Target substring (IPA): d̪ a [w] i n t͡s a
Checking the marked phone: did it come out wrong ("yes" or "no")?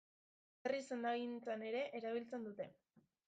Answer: yes